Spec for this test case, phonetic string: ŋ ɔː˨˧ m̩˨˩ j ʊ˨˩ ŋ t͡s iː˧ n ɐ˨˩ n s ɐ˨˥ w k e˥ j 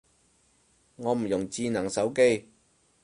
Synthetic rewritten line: ŋ ɔː˨˧ m̩˨˩ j ʊ˨˩ ŋ t͡s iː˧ n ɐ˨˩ ŋ s ɐ˨˥ w k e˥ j